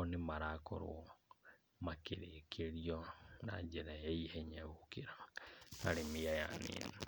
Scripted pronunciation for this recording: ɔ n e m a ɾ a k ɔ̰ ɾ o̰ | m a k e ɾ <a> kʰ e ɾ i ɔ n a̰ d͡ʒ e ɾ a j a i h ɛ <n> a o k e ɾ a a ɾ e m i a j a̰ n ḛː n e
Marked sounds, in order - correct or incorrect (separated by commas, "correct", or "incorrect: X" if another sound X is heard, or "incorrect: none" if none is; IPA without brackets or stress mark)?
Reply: incorrect: e, incorrect: ɲ